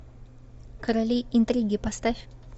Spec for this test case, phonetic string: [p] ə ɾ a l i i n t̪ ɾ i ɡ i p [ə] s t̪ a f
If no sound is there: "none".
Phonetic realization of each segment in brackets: k, a

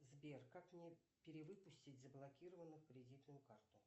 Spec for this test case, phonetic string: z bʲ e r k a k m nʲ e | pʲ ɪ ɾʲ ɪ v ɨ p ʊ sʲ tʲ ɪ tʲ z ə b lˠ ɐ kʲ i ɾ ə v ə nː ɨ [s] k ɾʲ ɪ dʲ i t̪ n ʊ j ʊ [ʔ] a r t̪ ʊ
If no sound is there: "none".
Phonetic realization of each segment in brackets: x, k

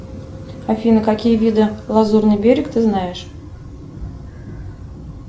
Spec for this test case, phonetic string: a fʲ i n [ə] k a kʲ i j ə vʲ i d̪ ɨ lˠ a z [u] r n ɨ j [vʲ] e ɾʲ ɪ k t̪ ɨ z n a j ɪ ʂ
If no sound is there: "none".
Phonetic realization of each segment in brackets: ə, u, bʲ

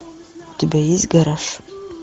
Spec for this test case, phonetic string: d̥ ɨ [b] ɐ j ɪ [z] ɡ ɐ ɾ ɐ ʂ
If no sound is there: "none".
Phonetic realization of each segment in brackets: b, z

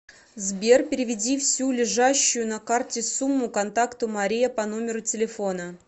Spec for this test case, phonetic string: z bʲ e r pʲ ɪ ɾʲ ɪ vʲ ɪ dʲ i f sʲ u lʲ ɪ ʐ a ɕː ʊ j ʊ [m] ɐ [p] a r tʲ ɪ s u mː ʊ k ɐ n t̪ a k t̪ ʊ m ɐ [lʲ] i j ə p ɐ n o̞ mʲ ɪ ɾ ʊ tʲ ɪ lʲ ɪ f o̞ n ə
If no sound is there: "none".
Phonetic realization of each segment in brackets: n, k, ɾʲ

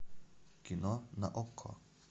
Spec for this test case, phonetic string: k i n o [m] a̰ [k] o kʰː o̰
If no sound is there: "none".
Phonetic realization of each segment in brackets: n, ʔ

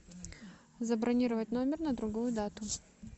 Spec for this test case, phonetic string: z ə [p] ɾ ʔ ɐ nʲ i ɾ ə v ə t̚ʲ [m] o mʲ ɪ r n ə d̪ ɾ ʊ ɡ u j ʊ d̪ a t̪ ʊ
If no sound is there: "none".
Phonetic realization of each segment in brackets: b, n

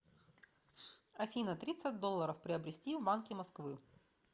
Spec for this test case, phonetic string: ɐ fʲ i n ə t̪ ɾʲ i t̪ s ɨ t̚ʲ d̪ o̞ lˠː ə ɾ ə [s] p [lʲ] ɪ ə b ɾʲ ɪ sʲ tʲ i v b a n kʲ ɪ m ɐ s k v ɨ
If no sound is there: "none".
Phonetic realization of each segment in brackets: f, ɾʲ

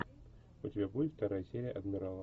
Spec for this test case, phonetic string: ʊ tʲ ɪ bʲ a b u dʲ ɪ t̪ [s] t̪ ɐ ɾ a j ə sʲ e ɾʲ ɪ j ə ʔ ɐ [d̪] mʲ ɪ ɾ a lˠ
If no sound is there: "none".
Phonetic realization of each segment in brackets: f, d̪

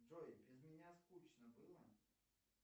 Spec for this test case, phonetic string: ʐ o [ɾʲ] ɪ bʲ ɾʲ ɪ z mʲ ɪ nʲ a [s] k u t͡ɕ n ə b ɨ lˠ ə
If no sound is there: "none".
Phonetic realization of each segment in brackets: none, s

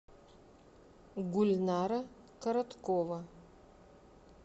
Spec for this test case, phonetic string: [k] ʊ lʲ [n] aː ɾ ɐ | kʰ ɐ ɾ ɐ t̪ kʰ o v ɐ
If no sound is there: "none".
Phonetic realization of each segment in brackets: ɡ, n

